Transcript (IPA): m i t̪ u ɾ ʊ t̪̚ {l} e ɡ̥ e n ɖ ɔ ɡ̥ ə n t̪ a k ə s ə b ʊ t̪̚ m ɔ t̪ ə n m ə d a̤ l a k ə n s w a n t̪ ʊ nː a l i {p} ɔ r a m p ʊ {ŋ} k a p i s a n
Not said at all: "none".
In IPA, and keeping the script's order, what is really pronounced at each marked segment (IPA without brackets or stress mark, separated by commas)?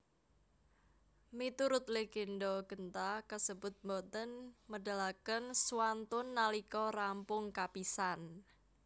l, k, ŋ